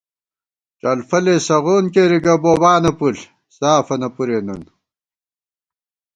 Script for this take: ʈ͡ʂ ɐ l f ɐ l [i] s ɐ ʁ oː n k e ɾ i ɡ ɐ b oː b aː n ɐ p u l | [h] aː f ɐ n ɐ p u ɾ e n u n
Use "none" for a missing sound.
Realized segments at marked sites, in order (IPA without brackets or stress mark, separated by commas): e, s